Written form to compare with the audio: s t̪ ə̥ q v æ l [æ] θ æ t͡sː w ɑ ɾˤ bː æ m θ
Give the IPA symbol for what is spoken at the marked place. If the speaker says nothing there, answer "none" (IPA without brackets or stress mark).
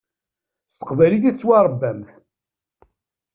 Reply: i